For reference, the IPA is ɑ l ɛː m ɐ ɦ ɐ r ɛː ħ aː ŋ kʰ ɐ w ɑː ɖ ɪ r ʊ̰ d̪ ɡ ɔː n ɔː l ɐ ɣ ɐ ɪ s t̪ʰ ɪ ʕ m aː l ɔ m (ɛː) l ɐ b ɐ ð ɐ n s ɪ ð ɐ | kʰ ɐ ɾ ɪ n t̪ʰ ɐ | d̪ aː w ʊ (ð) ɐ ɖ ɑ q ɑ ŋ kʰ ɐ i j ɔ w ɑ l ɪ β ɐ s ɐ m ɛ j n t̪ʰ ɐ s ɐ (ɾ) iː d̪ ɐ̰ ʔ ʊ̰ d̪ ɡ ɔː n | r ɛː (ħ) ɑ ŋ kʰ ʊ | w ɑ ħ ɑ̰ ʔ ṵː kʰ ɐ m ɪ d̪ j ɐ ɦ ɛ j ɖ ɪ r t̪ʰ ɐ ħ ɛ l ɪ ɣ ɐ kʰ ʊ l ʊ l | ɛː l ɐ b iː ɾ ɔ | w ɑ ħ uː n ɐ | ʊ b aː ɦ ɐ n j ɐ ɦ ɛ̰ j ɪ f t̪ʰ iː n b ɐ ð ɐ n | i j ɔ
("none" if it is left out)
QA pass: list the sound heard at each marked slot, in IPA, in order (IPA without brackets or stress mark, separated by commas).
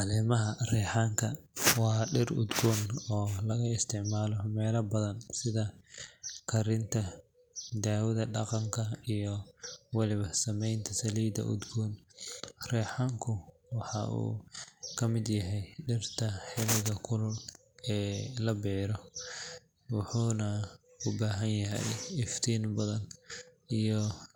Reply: ɛː, ð, l, ħ